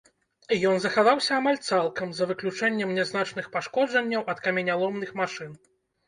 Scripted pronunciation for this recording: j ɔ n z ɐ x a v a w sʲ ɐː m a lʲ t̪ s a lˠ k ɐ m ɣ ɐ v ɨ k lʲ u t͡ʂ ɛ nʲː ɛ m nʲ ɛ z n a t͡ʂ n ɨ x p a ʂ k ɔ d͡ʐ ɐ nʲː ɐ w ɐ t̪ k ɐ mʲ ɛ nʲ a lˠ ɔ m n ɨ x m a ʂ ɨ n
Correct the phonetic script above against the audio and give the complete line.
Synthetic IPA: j ɔ n z ɐ x a v a w sʲ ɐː m a lʲ t̪ s a lˠ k ɐ m z ɐ v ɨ k lʲ u t͡ʂ ɛ nʲː ɛ m nʲ ɛ z n a t͡ʂ n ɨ x p a ʂ k ɔ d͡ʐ ɐ nʲː ɐ w ɐ t̪ k ɐ mʲ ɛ nʲ a lˠ ɔ m n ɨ x m a ʂ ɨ n